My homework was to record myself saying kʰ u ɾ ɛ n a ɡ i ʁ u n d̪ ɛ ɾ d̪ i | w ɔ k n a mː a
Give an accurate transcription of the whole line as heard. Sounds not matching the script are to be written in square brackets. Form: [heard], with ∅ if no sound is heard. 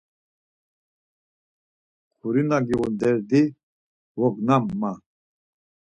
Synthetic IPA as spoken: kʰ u ɾ [i] n a ɡ i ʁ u n d̪ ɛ ɾ d̪ i | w ɔ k n a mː a